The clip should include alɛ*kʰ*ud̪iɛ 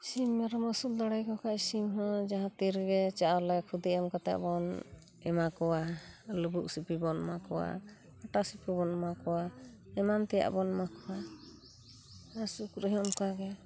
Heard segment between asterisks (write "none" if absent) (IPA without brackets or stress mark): kʰ